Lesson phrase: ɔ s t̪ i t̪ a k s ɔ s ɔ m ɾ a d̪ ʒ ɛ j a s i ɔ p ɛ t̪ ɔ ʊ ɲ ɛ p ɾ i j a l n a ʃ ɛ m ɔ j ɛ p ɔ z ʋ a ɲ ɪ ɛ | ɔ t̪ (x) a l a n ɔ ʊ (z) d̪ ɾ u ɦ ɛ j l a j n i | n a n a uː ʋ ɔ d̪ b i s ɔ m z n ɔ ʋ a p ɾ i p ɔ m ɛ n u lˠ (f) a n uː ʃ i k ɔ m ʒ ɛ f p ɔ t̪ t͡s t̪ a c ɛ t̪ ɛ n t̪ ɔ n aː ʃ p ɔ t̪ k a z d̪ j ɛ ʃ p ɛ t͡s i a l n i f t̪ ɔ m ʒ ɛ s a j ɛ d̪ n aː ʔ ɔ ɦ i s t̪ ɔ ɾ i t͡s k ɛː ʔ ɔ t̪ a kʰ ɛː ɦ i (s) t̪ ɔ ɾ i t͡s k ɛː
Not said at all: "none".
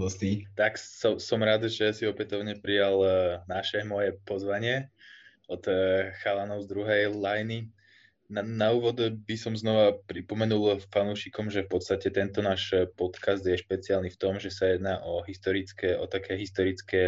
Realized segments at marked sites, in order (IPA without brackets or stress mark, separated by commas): x, z, f, s